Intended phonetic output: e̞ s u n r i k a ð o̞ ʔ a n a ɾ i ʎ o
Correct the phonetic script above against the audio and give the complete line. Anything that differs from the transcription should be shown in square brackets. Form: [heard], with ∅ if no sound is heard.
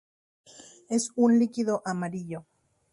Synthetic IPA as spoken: e̞ s u n [l] i k [i] ð o̞ ʔ a [m] a ɾ i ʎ o